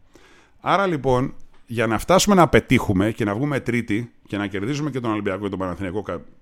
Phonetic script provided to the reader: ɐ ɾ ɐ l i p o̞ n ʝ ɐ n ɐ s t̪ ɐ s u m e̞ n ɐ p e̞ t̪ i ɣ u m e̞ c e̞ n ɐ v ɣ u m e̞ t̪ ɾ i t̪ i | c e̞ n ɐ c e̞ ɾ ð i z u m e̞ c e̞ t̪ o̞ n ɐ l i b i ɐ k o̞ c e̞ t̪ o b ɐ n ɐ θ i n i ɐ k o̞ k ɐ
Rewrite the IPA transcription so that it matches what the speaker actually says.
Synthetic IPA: ɐ ɾ ɐ l i p o̞ n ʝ ɐ n ɐ f t̪ ɐ s u m e̞ n ɐ p e̞ t̪ i x u m e̞ c e̞ n ɐ v ɣ u m e̞ t̪ ɾ i t̪ i | c e̞ n ɐ c e̞ ɾ ð i z u m e̞ c e̞ t̪ o̞ n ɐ l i b i ɐ k o̞ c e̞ t̪ o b ɐ n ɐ θ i n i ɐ k o̞ k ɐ